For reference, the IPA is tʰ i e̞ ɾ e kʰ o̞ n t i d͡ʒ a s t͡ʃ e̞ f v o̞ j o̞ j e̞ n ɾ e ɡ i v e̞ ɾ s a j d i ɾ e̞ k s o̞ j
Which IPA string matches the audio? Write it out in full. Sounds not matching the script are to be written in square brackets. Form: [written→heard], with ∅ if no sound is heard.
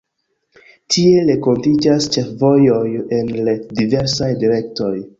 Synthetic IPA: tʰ i e̞ [ɾ→l] e [kʰ→k] o̞ n t i d͡ʒ a s t͡ʃ e̞ f v o̞ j o̞ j e̞ n [ɾ→l] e [ɡ→d] i v e̞ ɾ s a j d i ɾ e̞ k [s→t] o̞ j